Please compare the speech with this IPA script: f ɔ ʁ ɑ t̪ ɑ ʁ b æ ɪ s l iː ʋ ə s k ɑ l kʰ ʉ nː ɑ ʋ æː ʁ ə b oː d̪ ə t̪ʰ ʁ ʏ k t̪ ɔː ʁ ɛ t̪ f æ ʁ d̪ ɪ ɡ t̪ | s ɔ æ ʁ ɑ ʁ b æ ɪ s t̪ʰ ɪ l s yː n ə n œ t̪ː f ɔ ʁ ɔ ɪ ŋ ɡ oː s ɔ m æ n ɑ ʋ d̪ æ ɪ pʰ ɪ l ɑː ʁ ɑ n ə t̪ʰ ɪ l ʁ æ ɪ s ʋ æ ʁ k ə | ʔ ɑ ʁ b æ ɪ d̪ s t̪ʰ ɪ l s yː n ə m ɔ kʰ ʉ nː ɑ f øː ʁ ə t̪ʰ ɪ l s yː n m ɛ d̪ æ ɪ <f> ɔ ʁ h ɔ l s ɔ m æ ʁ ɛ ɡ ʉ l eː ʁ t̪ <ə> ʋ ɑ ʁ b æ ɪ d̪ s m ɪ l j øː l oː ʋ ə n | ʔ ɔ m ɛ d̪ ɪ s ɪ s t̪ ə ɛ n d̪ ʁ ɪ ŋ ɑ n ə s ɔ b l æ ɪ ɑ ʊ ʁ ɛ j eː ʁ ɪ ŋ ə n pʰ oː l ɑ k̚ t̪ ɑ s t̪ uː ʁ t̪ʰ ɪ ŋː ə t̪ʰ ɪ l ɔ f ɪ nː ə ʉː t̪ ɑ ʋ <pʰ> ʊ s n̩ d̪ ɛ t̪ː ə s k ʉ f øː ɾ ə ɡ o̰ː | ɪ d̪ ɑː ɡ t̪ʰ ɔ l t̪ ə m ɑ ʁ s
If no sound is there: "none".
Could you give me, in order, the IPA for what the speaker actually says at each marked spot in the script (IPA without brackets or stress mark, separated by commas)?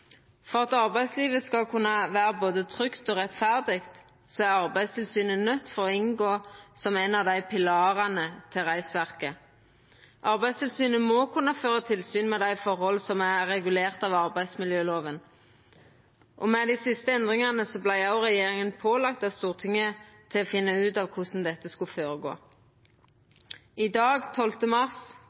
f, ɑ, kʰ